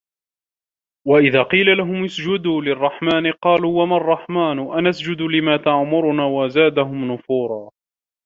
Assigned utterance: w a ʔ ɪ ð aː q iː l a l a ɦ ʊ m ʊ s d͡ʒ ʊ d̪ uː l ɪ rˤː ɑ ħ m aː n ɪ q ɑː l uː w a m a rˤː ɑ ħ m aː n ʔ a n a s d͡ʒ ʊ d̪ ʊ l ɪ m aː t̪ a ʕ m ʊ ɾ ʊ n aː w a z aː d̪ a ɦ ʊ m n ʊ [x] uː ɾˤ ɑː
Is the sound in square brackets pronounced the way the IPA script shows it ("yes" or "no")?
no